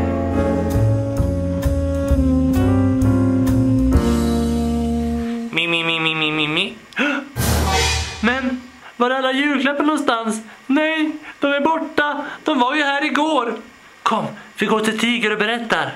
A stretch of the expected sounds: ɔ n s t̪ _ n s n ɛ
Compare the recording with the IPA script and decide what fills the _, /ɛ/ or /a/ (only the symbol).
a